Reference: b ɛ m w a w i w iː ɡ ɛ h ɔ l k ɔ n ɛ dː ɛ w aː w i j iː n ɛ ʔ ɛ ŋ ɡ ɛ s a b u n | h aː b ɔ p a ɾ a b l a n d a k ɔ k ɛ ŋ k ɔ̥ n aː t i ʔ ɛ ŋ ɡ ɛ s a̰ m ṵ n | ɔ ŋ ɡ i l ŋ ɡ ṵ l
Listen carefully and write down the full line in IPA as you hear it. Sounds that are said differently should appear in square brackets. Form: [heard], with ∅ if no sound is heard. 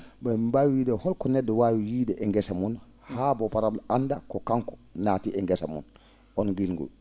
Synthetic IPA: b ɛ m [b] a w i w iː [d] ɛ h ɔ l k ɔ n ɛ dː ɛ w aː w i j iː [d] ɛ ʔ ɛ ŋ ɡ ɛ s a [m] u n | h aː b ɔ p a ɾ a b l a n d a k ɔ k [a] ŋ k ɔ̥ n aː t i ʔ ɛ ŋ ɡ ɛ s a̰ m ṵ n | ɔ [n] ɡ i l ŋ ɡ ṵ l